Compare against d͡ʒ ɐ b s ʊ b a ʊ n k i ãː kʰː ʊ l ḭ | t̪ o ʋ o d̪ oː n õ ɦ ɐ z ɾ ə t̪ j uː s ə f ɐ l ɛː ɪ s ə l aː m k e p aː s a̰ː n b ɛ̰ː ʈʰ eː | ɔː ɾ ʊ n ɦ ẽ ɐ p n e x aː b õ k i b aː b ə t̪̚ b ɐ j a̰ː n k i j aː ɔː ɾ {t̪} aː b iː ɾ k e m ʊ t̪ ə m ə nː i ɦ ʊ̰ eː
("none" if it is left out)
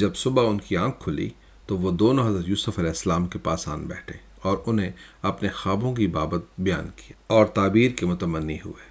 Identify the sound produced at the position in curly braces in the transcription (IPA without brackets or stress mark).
t̪